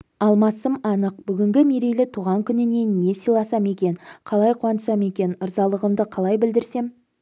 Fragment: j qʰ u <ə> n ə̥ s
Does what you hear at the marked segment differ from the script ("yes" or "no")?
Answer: yes